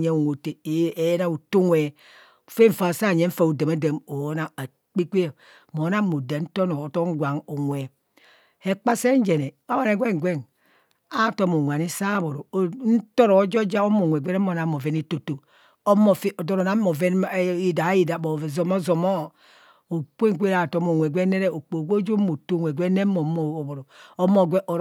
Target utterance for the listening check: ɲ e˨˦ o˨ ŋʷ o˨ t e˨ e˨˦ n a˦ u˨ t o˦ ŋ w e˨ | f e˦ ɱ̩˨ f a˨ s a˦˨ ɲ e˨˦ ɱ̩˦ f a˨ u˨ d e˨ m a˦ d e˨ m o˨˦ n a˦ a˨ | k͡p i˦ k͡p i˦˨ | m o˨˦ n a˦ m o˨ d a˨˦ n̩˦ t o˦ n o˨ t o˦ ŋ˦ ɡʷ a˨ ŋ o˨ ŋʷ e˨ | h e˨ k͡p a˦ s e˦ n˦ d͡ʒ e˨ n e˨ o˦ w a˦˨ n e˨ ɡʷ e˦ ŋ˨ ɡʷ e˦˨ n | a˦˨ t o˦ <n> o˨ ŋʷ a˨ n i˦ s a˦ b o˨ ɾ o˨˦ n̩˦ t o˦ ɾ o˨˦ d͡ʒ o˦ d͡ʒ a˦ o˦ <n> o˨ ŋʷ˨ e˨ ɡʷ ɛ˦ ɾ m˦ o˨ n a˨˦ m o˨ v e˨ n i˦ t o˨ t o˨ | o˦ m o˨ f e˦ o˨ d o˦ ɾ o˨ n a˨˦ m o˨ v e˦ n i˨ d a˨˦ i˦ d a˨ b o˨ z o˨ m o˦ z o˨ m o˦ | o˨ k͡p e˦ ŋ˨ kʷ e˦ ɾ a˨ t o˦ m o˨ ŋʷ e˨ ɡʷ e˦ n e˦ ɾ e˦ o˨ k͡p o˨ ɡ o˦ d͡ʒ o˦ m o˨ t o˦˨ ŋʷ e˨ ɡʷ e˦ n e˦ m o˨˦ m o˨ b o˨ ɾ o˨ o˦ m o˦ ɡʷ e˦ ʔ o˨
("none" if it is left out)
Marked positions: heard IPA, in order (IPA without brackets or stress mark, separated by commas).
m, m